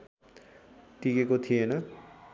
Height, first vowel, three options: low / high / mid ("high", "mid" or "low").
high